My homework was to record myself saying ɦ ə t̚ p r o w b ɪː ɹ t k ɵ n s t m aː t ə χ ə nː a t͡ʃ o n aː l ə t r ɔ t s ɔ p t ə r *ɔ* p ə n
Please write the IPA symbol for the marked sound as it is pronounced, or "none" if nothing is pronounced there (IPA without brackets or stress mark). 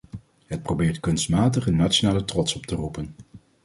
u